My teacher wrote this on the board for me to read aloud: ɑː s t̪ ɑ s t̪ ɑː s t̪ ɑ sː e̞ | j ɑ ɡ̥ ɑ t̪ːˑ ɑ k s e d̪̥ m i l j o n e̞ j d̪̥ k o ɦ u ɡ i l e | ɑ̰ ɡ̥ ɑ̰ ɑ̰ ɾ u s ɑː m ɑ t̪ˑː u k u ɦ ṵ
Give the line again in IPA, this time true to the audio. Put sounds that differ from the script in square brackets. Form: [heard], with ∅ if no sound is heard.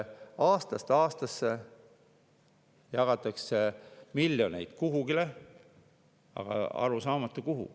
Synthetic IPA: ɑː s t̪ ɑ s t̪ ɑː s t̪ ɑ sː e̞ | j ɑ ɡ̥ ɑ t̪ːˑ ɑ k s e [∅] m i l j o n e̞ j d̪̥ k [u] ɦ u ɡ i l e | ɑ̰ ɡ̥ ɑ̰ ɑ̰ ɾ u s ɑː m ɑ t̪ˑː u k u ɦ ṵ

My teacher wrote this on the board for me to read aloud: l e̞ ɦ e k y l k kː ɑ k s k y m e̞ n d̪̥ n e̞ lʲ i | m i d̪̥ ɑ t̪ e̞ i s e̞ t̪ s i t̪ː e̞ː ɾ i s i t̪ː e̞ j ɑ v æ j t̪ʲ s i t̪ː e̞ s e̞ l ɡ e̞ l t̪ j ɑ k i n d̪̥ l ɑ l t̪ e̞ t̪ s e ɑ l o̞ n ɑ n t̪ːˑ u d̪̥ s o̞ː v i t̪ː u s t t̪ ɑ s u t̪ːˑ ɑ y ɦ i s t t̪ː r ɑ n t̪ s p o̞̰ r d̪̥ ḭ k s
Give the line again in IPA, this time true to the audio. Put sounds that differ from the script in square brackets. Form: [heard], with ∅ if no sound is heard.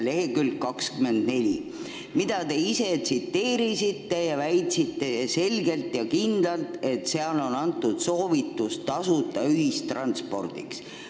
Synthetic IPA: l e̞ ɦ e k y l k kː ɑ k s k y m e̞ n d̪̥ n e̞ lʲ i | m i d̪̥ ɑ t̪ e̞ i s e̞ t̪ s i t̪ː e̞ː ɾ i s i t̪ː e̞ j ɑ v æ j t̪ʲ s i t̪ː e̞ s e̞ l ɡ e̞ l t̪ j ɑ k i n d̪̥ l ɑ l t̪ e̞ t̪ s e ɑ l o̞ n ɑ n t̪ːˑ u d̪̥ s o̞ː v i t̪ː u s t t̪ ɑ s u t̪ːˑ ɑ y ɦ i s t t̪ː r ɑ n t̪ s p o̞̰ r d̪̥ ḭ k s

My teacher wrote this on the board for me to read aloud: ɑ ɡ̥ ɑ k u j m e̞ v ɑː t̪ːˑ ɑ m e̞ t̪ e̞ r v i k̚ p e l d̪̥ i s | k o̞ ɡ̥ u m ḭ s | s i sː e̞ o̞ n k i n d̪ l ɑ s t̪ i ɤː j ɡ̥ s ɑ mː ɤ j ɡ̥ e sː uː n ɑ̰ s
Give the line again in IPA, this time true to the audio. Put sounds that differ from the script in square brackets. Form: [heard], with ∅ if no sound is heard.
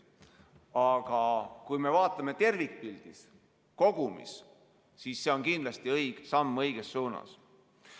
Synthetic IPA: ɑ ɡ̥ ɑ k u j m e̞ v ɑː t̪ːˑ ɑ m e̞ t̪ e̞ r v i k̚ p [i] l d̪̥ i s | k o̞ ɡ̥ u m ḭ s | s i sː e̞ o̞ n k i n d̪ l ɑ s t̪ i [ɤ] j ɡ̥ s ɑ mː ɤ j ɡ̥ e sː uː n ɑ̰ s

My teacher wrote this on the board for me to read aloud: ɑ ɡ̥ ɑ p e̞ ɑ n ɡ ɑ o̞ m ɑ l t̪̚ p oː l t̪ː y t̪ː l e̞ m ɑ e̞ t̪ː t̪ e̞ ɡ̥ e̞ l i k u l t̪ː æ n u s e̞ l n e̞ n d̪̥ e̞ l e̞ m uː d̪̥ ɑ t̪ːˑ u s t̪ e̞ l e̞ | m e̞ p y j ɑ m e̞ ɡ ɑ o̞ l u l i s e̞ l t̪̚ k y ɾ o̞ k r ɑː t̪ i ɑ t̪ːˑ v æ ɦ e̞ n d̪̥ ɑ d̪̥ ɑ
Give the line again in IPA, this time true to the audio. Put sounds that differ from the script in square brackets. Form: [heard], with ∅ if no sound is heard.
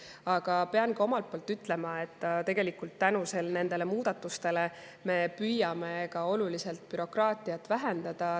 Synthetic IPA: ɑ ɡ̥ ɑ p e̞ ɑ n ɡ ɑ o̞ m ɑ l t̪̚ p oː l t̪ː y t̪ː l e̞ m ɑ e̞ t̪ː t̪ e̞ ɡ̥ e̞ l i k u l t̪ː æ n u s e̞ l n e̞ n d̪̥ e̞ l e̞ m uː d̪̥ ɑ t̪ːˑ u s t̪ e̞ l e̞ | m e̞ p y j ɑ m e̞ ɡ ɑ o̞ l u l i s e̞ l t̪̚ [p] y ɾ o̞ k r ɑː t̪ i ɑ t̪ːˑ v æ ɦ e̞ n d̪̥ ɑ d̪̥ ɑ

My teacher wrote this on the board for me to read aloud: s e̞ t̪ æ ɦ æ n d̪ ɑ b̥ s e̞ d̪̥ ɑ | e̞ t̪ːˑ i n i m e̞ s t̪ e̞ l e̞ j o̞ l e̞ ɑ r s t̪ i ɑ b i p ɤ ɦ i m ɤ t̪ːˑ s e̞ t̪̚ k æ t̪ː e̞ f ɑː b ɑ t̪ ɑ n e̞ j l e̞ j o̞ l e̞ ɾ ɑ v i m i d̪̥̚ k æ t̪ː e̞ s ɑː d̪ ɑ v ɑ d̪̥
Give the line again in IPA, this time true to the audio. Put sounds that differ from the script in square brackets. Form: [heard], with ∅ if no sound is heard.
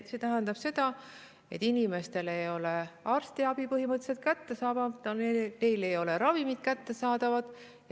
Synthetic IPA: s e̞ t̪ æ ɦ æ n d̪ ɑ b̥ s e̞ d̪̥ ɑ | e̞ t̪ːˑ i n i m e̞ s t̪ e̞ l e̞ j o̞ l e̞ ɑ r s t̪ i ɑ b i p ɤ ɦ i m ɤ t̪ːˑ s e̞ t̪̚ k æ t̪ː e̞ [s] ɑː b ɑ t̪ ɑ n e̞ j l e̞ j o̞ l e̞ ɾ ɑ v i m i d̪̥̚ k æ t̪ː e̞ s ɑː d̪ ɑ v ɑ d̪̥

